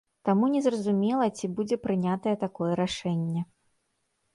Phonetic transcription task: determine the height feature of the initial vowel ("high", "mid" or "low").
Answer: low